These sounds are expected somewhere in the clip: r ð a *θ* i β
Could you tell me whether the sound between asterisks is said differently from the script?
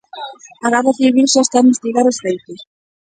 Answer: no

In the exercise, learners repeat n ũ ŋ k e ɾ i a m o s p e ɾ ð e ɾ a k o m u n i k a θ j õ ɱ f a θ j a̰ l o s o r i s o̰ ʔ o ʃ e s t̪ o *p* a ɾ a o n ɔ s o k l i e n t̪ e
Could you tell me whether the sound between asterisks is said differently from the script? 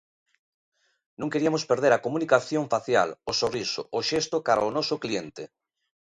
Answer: yes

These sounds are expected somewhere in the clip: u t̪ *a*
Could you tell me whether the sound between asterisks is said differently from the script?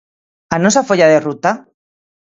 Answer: no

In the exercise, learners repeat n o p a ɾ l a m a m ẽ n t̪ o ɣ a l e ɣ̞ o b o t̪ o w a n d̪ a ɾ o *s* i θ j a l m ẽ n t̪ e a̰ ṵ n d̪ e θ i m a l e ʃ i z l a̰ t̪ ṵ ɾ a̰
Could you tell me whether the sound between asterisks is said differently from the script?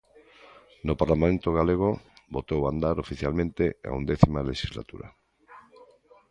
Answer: yes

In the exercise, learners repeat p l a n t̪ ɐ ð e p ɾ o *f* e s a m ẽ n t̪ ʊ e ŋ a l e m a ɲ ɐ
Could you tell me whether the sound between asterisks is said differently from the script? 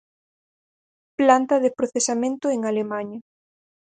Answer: yes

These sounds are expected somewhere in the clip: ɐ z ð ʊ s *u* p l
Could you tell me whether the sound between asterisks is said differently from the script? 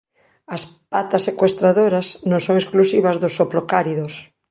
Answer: yes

